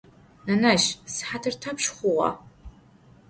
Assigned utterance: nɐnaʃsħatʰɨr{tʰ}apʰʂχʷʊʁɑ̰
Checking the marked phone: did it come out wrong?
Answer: no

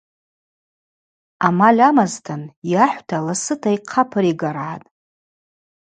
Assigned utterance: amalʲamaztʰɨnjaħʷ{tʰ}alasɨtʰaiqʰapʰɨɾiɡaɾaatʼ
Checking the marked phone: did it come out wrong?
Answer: no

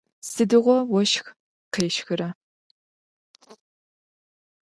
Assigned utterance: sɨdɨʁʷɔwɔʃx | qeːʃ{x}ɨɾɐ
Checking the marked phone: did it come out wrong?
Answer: no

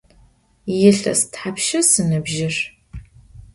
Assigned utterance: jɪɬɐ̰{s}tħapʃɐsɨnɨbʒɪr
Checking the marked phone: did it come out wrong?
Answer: no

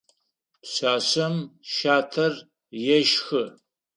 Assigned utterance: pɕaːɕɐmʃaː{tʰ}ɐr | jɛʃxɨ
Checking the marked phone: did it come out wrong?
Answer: no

